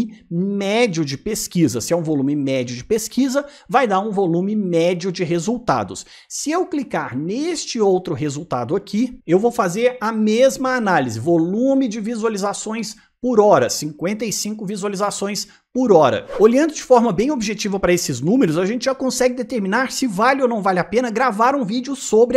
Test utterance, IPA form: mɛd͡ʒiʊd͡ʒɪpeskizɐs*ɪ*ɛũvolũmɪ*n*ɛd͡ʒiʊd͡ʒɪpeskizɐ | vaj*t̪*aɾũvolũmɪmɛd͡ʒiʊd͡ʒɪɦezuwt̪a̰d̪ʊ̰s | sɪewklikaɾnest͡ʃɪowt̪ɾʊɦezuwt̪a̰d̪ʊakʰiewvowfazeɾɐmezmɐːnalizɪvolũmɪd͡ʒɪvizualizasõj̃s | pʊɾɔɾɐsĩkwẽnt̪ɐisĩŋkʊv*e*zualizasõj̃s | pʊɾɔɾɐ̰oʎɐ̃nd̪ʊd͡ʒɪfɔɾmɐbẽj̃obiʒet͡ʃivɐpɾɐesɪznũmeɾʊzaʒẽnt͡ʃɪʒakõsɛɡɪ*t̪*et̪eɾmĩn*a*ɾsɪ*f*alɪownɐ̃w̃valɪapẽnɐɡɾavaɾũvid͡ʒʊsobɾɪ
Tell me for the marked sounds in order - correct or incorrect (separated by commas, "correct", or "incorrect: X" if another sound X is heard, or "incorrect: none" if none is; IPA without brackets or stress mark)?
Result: correct, incorrect: m, incorrect: d̪, incorrect: i, incorrect: d̪, correct, incorrect: v